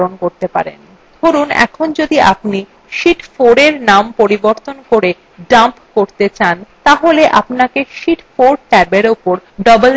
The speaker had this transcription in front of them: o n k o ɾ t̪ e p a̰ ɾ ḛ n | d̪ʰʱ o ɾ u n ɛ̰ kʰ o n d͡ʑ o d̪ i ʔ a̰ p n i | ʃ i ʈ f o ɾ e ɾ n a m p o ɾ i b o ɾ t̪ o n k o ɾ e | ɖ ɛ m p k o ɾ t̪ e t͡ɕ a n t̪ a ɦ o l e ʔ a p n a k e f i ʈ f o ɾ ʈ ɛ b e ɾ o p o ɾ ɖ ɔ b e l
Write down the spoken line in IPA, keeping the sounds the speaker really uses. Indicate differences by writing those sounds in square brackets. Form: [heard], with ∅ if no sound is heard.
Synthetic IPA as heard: o n k o ɾ t̪ e p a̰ ɾ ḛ n | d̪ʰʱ o ɾ u n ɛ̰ kʰ o n d͡ʑ o d̪ i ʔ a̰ p n i | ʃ i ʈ f o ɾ e ɾ n a m p o ɾ i b o ɾ t̪ o n k o ɾ e | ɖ [a] m p k o ɾ t̪ e t͡ɕ a n t̪ a ɦ o l e ʔ a p n a k e [ʃ] i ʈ f o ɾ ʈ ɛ b e ɾ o p o ɾ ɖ ɔ b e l